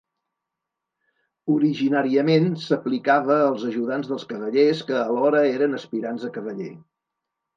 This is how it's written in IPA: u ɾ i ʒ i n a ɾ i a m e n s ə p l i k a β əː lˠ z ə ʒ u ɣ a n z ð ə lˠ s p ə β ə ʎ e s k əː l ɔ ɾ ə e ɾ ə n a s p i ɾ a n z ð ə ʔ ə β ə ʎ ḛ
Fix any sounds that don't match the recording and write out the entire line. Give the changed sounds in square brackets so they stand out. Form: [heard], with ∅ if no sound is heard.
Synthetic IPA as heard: u ɾ i ʒ i n a ɾ i [ə] m e n s ə p l i k a β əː lˠ z ə ʒ u [ð] a n z ð ə lˠ s [k] ə β ə ʎ e s k əː l ɔ ɾ ə e ɾ ə n [ə] s p i ɾ a n z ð ə [k] ə β ə ʎ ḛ